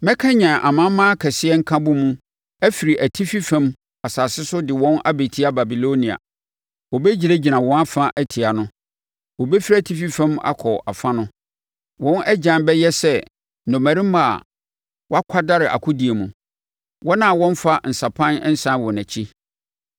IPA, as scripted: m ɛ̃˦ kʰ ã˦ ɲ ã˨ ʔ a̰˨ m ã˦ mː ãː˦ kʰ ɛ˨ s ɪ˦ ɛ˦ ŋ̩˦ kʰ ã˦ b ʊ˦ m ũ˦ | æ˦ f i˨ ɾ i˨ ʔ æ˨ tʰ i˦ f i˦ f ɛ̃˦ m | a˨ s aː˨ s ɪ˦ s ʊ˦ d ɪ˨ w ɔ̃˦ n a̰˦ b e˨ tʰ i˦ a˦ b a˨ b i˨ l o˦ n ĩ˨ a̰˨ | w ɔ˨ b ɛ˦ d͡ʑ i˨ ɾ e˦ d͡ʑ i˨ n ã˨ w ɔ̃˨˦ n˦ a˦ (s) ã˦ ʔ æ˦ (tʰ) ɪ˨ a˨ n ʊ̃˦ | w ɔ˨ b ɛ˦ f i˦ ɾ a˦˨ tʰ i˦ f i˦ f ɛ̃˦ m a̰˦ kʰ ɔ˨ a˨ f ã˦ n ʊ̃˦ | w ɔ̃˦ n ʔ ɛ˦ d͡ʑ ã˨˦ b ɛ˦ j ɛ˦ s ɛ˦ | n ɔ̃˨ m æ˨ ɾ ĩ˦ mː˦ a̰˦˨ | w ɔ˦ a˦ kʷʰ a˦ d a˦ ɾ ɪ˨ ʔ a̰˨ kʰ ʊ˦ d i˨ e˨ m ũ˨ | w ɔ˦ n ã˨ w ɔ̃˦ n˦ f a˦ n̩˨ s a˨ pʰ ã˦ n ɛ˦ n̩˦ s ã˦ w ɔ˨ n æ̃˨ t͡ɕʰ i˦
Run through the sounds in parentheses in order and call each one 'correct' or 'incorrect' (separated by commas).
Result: incorrect, correct